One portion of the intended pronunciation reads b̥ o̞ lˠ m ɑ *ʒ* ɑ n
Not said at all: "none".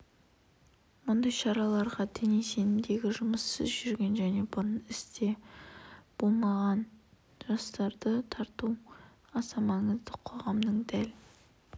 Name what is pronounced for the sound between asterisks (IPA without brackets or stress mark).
ʁ